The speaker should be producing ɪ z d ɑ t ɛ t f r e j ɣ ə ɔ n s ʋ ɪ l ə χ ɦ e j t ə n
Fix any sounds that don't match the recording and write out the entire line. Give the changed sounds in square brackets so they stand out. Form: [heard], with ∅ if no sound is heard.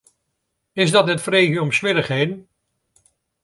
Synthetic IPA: ɪ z d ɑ t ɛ t f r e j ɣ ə ɔ [m] s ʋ ɪ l ə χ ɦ e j [d] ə n